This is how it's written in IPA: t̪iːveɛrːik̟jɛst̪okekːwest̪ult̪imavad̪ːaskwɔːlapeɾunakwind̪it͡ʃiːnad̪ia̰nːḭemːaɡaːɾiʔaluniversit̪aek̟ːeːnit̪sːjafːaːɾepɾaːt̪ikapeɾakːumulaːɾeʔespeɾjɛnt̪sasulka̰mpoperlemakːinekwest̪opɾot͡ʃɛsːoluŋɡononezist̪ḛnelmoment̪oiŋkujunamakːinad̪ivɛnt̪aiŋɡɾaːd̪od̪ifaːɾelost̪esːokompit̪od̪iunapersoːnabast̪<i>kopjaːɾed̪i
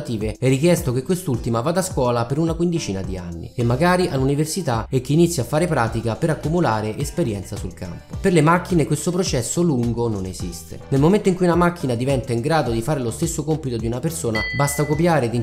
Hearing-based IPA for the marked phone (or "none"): a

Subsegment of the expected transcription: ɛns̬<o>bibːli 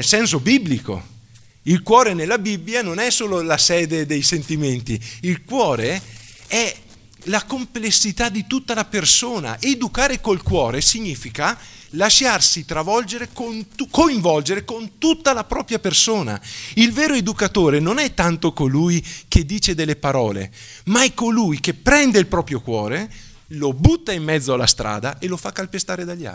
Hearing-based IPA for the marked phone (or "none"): o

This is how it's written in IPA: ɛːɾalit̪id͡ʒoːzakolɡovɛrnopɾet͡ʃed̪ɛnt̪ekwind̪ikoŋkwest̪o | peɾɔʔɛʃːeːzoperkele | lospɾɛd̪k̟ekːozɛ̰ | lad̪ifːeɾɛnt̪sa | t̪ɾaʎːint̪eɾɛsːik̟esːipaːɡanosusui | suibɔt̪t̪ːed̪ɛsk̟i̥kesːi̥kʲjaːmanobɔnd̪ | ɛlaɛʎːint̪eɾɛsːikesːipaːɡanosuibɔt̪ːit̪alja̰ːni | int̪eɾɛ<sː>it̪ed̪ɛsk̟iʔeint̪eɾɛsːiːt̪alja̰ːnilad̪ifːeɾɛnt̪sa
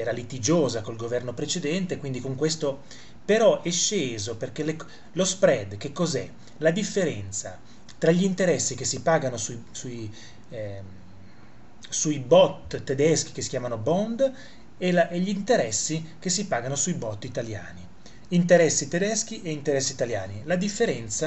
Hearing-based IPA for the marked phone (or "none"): sː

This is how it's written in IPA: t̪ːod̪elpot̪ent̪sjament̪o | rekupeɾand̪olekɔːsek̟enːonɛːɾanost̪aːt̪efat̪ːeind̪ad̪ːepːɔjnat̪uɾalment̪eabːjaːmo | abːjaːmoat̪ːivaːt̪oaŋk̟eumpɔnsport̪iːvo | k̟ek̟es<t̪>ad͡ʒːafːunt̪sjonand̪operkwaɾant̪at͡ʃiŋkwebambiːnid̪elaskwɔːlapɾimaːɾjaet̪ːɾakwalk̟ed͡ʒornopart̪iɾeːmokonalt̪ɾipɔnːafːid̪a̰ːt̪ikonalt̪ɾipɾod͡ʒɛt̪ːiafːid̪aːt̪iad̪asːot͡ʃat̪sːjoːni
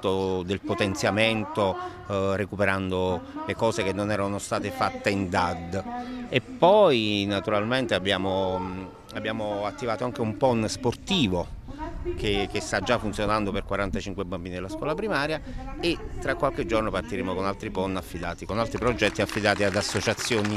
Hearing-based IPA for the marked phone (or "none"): t̪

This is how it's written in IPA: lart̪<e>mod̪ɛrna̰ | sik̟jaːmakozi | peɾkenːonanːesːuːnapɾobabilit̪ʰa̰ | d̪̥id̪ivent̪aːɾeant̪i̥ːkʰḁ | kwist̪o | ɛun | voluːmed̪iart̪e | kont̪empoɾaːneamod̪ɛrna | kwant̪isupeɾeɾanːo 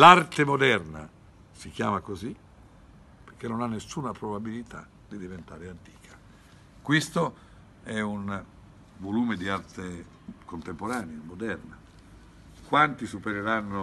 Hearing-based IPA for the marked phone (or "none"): e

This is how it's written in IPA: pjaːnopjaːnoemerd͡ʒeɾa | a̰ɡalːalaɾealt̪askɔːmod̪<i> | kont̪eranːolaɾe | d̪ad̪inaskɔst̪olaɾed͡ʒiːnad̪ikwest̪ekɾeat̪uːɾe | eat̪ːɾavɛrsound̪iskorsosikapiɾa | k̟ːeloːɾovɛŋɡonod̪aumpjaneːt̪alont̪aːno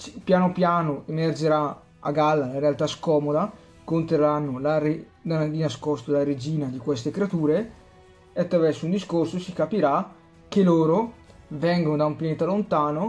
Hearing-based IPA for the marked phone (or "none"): a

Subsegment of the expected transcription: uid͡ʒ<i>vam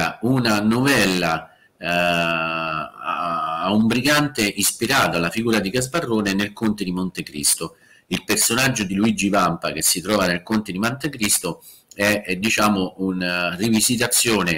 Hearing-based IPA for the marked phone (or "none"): i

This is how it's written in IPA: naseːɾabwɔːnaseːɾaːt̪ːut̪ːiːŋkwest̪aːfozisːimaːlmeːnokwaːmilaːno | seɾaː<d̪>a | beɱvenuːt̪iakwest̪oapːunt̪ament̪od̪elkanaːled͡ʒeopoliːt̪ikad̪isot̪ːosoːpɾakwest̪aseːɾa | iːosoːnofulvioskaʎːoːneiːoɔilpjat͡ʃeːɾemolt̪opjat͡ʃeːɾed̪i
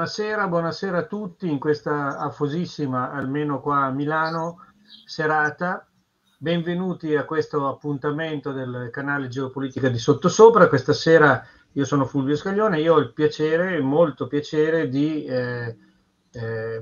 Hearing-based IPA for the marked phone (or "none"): t̪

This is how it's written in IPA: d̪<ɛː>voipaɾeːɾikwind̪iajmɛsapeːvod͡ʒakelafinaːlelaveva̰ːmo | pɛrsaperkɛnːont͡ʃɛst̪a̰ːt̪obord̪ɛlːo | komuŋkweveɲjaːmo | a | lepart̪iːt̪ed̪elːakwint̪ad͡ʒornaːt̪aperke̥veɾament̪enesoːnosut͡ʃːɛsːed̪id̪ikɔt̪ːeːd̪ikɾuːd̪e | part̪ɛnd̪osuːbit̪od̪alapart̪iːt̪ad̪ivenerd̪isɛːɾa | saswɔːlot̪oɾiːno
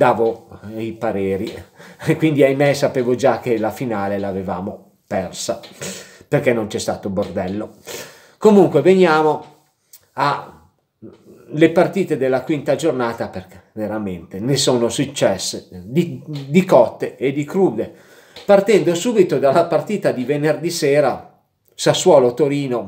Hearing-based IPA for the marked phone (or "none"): aː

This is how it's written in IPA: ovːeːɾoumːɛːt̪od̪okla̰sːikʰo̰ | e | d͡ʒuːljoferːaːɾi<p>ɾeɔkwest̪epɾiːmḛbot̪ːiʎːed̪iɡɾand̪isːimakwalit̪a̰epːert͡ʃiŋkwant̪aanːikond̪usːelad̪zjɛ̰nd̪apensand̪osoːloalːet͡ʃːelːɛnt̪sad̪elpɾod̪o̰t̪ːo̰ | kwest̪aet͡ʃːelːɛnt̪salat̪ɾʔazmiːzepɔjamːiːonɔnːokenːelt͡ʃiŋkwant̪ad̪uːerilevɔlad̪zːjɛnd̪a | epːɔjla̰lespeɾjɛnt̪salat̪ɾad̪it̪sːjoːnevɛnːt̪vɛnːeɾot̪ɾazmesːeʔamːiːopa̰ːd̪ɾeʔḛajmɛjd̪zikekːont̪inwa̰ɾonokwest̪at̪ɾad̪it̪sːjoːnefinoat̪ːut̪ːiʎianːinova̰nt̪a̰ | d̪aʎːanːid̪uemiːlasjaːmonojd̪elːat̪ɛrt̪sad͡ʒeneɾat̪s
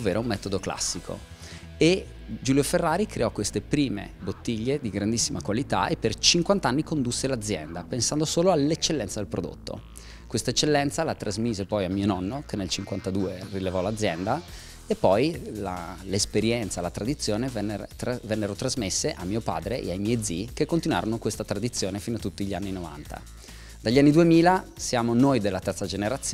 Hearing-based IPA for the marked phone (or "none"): k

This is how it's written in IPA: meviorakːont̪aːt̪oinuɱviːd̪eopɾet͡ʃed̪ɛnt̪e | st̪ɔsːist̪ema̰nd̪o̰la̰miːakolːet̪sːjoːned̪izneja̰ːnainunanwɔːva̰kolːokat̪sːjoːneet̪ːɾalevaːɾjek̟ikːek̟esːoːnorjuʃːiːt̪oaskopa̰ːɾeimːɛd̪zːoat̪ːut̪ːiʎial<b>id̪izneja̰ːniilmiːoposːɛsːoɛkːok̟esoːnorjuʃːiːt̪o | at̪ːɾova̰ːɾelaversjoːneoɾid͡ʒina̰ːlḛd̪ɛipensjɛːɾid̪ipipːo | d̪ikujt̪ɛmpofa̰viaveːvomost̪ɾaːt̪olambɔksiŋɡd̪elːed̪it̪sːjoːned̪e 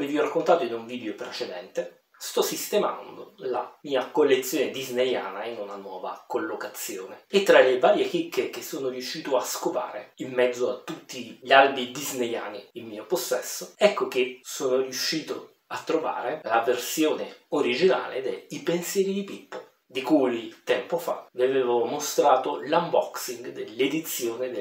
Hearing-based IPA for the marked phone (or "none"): b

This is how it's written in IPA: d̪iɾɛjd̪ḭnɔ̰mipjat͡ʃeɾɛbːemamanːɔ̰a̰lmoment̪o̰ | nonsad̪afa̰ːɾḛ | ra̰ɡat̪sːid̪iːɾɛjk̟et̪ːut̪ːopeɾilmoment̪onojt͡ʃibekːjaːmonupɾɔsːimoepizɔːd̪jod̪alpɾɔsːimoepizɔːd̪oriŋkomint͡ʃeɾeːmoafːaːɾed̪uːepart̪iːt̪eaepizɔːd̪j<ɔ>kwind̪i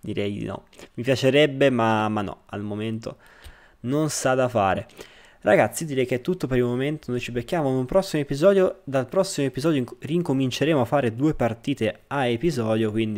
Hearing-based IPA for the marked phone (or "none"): o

